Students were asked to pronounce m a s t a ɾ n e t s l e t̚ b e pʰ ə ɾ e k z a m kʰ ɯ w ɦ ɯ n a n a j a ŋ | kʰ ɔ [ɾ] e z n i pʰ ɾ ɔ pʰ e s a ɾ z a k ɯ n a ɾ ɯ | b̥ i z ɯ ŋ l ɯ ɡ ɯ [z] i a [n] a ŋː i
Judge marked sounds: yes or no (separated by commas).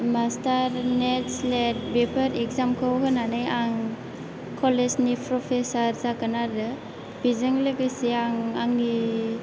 no, no, no